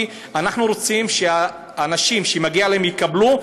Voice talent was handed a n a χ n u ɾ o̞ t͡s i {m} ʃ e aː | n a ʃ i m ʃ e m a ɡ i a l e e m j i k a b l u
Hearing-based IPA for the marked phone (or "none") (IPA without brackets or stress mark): m